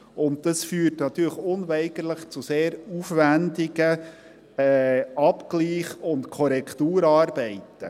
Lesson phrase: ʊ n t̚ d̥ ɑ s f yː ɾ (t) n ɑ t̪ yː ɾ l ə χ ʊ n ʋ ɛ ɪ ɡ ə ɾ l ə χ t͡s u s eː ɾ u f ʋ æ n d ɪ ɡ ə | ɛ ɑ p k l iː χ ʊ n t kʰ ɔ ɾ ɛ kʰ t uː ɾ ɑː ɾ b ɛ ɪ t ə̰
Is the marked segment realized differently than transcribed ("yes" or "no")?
no